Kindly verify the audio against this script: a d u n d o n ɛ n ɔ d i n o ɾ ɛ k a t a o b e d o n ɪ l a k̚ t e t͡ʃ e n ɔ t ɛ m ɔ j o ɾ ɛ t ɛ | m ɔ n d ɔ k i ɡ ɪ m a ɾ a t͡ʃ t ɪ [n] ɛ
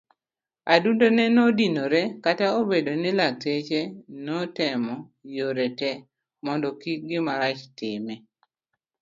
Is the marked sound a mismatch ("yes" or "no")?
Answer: yes